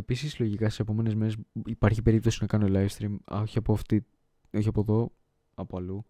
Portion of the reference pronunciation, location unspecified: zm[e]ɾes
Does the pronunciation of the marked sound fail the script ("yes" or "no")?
no